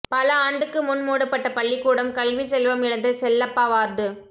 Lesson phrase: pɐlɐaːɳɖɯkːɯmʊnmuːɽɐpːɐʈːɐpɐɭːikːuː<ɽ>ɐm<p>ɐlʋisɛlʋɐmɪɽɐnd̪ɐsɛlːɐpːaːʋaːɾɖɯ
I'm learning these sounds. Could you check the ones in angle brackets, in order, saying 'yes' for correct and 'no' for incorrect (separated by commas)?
yes, no